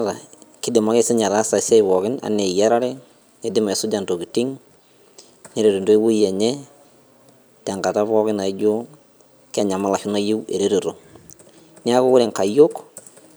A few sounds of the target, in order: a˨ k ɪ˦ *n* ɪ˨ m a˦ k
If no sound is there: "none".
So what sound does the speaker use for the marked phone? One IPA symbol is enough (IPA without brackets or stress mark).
d